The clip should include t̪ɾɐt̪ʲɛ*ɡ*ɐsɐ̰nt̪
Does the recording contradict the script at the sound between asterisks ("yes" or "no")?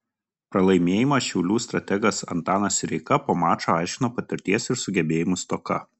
no